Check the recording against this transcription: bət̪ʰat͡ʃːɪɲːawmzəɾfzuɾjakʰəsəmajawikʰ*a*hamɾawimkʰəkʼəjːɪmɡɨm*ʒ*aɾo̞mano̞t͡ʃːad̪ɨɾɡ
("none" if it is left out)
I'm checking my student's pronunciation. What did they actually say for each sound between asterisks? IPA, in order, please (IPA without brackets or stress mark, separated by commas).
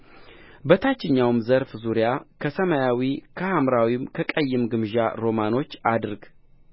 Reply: ə, ʒ